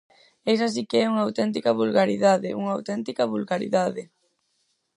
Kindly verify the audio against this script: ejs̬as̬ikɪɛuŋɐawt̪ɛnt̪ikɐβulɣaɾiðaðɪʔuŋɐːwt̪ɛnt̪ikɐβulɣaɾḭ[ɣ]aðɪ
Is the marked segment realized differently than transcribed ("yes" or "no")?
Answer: yes